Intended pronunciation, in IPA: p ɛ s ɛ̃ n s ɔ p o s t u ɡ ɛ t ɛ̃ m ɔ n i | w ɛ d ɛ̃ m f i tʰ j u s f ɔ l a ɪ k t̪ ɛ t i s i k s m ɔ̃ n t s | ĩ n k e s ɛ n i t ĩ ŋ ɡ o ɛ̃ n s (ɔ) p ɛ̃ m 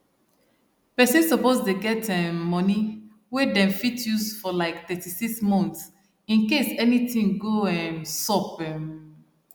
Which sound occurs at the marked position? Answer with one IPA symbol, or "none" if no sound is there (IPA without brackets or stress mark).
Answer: ɔ